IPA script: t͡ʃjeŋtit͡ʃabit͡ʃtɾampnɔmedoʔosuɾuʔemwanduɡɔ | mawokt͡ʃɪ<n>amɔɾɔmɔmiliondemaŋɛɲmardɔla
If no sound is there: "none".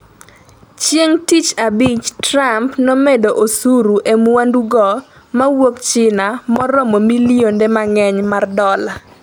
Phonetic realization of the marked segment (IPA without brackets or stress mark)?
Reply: n